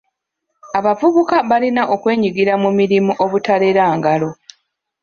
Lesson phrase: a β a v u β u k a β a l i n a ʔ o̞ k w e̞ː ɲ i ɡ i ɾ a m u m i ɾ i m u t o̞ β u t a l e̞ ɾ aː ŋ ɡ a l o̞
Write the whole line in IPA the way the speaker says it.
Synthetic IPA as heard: a β a v u β u k a β a l i n a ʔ o̞ k w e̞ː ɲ i ɡ i ɾ a m u m i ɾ i m u ʔ o̞ β u t a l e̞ ɾ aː ŋ ɡ a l o̞